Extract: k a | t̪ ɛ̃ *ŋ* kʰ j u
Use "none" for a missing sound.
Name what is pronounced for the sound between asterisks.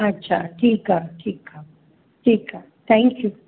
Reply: ŋ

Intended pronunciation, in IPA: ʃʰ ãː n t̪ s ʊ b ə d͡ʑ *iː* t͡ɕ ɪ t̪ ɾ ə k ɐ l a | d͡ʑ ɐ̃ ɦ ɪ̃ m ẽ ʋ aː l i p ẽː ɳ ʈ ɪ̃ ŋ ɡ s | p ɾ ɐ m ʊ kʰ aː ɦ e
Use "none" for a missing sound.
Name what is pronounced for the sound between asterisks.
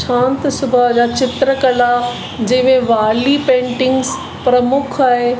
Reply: aː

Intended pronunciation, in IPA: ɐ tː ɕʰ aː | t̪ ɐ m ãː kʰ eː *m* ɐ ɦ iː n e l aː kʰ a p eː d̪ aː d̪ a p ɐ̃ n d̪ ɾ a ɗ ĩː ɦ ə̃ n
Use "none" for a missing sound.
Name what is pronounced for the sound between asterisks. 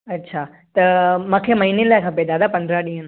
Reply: m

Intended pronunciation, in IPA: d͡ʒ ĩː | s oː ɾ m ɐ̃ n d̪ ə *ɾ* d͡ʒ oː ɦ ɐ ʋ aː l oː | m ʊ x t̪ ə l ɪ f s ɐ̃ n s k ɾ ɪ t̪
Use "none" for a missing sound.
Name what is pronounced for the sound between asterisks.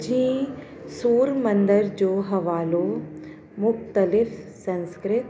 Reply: ɾ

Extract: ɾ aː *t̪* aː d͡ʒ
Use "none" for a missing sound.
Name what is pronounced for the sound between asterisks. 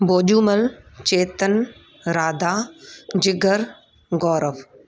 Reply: d̪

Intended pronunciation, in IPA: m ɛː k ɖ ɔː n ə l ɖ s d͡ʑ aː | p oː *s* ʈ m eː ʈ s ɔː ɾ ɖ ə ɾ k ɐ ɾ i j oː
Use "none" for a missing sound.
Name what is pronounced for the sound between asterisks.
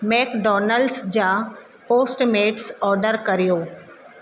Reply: s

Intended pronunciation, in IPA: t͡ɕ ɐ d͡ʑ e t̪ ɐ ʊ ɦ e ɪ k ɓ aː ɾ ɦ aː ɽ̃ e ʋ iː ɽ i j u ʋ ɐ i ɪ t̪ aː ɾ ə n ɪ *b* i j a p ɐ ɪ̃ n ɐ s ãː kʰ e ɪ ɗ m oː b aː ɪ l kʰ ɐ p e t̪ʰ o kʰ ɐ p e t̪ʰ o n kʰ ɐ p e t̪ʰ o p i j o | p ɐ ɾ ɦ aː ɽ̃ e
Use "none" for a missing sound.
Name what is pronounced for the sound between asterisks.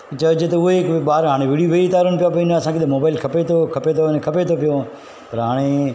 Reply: p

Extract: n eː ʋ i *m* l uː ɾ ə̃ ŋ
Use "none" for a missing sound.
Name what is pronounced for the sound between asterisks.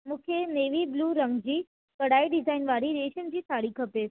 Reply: b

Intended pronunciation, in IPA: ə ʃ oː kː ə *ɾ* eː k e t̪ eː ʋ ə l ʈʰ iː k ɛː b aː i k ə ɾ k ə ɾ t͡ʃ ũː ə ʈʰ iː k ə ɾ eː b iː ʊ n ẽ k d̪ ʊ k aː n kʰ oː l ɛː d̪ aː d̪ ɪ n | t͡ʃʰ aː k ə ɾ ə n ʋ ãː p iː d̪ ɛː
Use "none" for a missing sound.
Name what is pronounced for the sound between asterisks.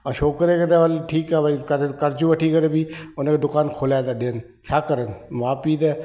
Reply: ɾ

